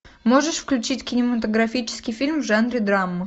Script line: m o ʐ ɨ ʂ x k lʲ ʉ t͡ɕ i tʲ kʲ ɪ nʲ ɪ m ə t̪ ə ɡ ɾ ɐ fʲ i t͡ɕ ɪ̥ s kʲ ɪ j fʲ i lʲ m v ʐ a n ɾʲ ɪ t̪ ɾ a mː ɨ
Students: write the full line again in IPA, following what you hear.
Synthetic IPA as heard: m o ʐ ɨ ʂ f k lʲ ʉ t͡ɕ i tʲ kʲ ɪ nʲ ɪ m ə t̪ ə ɡ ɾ ɐ fʲ i t͡ɕ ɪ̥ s kʲ ɪ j fʲ i lʲ m v ʐ a n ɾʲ ɪ d̪ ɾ a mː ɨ